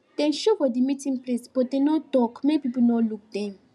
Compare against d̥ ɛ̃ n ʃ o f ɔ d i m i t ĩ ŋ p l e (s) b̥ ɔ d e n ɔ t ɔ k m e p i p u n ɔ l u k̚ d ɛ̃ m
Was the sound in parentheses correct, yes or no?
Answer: yes